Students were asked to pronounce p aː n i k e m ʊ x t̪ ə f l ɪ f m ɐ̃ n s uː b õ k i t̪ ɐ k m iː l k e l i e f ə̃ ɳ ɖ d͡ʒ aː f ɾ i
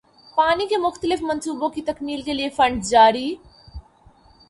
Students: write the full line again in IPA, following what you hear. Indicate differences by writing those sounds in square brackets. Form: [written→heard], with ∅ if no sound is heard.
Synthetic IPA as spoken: p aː n i k e m ʊ x t̪ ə [f→∅] l ɪ f m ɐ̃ n s uː b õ k i t̪ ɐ k m iː l k e l i e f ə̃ ɳ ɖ d͡ʒ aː [f→∅] ɾ i